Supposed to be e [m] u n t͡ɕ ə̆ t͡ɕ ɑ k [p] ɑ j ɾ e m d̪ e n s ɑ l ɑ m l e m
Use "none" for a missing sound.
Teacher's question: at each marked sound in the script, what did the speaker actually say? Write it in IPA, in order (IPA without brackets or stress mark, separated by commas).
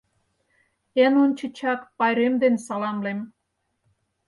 n, p